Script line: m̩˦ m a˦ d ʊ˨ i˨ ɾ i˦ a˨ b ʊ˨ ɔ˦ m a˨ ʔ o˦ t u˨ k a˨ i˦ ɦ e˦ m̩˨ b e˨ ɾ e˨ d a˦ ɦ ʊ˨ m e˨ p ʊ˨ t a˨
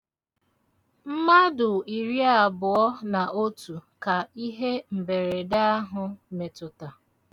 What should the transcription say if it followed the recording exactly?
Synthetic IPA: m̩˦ m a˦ d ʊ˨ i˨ ɾ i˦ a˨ b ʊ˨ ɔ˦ n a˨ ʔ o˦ t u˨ k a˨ i˦ ɦ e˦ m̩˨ b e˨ ɾ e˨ d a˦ ɦ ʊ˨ m e˨ t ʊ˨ t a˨